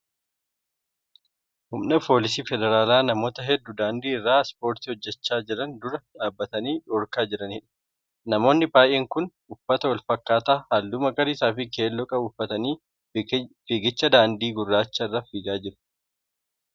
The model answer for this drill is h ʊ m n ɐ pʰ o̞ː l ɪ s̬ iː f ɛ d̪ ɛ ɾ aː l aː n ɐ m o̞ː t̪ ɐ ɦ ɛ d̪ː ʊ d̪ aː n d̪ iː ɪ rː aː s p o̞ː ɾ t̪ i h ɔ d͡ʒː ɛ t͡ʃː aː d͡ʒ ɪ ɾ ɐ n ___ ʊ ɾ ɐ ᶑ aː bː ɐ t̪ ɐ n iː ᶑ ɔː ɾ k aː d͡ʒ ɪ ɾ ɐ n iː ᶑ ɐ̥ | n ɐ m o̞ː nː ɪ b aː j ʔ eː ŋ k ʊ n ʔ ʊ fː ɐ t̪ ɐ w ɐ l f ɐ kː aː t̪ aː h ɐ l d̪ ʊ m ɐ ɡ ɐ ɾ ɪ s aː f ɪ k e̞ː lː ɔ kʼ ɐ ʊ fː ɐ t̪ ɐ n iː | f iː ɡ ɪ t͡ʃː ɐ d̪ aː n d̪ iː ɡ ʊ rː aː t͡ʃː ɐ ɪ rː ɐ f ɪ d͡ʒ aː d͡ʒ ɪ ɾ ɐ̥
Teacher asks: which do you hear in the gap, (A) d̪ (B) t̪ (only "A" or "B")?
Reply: A